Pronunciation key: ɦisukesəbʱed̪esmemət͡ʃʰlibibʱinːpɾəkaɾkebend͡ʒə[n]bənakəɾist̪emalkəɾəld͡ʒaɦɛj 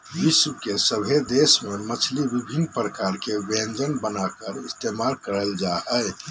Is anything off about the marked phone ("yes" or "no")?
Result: no